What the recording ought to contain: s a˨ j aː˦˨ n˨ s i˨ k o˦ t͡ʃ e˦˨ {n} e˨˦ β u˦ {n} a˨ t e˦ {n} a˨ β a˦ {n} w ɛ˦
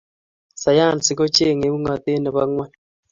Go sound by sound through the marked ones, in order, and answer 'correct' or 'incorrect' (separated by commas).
incorrect, incorrect, correct, incorrect